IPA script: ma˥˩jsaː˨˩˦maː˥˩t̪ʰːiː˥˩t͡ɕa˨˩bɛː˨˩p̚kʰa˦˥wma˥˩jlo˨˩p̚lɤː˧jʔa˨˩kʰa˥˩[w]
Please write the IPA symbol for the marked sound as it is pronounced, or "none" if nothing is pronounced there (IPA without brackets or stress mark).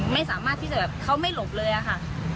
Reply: none